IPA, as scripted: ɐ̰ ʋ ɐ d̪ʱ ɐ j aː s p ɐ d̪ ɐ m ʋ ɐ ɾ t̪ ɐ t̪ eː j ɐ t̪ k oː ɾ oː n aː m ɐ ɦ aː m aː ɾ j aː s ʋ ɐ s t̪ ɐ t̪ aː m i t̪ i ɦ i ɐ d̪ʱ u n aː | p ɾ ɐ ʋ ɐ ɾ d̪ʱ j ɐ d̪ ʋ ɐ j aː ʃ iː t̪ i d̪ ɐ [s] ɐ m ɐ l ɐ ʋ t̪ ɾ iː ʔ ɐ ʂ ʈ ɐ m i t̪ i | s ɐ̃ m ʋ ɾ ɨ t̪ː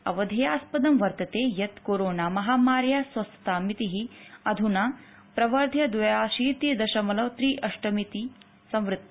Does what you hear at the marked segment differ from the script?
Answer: yes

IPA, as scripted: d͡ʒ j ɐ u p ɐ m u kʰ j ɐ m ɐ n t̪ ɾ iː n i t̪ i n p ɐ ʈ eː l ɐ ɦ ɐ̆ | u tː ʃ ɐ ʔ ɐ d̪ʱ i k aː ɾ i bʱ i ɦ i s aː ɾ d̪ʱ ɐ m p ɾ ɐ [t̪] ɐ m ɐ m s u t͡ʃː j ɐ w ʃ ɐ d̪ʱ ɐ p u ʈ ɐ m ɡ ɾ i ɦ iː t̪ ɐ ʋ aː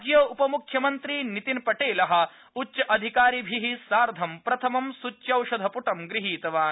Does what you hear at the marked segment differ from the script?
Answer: yes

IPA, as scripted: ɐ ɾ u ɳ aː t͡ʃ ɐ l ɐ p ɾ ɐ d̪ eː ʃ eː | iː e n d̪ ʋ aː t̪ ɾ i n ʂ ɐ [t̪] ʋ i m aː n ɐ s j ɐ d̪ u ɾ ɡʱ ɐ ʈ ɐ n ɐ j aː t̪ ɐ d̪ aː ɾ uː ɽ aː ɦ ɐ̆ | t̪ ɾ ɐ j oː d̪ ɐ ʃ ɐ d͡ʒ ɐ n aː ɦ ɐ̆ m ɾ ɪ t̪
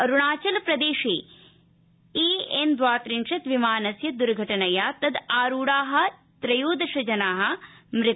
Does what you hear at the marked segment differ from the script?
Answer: no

